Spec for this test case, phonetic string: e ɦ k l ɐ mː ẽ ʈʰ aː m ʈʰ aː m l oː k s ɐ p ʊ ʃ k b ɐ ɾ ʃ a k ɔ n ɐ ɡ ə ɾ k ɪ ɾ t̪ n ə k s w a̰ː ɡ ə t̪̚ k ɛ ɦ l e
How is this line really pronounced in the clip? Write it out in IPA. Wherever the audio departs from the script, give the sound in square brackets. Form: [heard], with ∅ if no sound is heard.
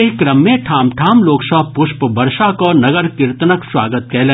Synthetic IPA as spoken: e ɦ k [ɾ] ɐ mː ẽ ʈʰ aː m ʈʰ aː m l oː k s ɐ p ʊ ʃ [p] b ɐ ɾ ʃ a k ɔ n ɐ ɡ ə ɾ k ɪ ɾ t̪ n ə k s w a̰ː ɡ ə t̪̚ k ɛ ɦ l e